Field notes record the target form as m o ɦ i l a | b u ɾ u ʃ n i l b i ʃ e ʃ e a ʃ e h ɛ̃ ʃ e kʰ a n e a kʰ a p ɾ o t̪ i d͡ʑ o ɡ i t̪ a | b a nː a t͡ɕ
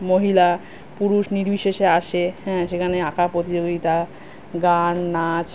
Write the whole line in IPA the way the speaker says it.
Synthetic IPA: m o ɦ i l a | p u ɾ u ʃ n i ɾ b i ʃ e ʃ e a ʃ e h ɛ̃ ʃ e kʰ a n e a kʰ a p ɾ o t̪ i d͡ʑ o ɡ i t̪ a | ɡ a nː a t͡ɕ